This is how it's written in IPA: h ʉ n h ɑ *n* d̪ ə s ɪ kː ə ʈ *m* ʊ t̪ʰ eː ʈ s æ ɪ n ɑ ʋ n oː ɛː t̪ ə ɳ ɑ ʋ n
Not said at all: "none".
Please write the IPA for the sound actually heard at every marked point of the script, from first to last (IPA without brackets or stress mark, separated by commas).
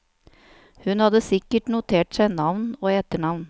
none, n